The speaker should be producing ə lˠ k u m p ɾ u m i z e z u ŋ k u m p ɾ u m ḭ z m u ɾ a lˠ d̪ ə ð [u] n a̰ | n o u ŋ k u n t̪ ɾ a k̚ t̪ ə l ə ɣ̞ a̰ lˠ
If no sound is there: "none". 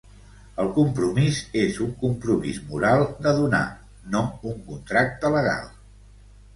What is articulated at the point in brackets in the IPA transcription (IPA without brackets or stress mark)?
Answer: u